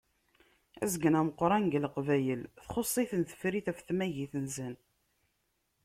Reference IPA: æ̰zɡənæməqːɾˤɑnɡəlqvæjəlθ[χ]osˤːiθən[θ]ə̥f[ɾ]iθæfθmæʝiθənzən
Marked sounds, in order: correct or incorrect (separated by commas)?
correct, correct, correct